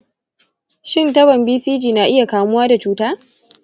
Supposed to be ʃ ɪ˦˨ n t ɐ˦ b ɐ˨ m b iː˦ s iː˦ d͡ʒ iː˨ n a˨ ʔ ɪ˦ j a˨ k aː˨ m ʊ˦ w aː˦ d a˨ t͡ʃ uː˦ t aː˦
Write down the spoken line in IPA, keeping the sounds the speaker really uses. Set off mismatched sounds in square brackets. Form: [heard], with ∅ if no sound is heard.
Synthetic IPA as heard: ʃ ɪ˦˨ n t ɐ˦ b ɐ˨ m b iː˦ s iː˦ d͡ʒ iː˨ n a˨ ʔ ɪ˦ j a˨ k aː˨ m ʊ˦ w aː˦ d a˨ t͡ʃ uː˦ t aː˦